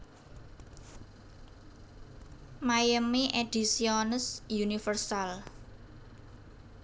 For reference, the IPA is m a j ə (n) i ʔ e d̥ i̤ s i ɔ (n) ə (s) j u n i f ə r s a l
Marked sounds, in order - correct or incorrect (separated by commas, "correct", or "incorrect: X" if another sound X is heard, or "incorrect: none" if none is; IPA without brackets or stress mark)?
incorrect: m, correct, correct